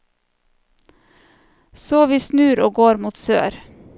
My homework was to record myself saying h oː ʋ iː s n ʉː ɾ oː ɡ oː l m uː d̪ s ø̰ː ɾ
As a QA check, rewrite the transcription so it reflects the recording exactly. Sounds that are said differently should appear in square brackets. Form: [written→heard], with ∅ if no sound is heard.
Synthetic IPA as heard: [h→s] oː ʋ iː s n ʉː ɾ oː ɡ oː [l→ɾ] m uː [d̪→t̪] s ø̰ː ɾ